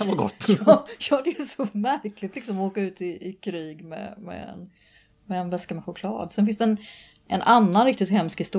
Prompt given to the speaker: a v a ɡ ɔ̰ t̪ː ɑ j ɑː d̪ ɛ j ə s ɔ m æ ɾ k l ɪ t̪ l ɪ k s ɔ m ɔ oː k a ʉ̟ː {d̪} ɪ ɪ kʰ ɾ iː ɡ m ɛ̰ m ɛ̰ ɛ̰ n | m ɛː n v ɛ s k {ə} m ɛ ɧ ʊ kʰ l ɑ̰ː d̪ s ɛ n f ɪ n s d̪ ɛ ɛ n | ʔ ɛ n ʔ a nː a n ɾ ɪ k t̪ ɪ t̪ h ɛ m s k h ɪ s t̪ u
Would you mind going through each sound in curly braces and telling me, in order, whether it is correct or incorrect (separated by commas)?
incorrect, incorrect